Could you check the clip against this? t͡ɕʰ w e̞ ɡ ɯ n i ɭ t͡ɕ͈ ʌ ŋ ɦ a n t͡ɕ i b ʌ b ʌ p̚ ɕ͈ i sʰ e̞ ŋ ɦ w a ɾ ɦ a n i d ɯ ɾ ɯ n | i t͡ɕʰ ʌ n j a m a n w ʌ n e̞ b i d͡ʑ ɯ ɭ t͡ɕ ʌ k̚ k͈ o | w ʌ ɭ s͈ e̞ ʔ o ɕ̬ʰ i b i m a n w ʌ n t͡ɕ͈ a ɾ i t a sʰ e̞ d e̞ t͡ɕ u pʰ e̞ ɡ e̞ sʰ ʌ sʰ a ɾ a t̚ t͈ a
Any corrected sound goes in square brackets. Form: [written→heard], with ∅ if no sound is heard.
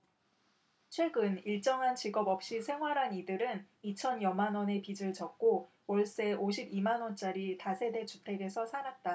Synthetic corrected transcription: t͡ɕʰ w e̞ ɡ ɯ n i ɭ t͡ɕ͈ ʌ ŋ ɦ a n t͡ɕ i [b→ɡ] ʌ b ʌ p̚ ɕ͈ i sʰ e̞ ŋ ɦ w a ɾ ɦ a n i d ɯ ɾ ɯ n | i t͡ɕʰ ʌ n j [a→ʌ] m a n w ʌ n e̞ [b→p] i d͡ʑ ɯ ɭ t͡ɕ ʌ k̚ k͈ o | w ʌ ɭ s͈ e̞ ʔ o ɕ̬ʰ i b i m a n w ʌ n t͡ɕ͈ a ɾ i t a sʰ e̞ d e̞ t͡ɕ u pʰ e̞ ɡ e̞ sʰ ʌ sʰ a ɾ a t̚ t͈ a